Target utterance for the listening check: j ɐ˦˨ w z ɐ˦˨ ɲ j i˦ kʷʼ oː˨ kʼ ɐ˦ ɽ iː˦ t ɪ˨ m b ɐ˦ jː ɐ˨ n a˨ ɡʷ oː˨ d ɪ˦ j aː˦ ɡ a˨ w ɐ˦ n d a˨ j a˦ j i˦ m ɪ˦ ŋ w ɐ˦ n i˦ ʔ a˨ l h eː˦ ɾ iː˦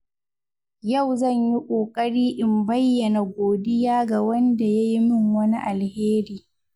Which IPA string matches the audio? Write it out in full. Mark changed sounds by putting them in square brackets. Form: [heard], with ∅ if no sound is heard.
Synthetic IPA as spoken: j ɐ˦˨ w z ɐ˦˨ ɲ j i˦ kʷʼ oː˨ kʼ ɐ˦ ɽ iː˦ [ʔ] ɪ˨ m b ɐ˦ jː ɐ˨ n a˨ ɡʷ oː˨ d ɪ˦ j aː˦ ɡ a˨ w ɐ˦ n d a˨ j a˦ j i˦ m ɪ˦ ŋ w ɐ˦ n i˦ ʔ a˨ l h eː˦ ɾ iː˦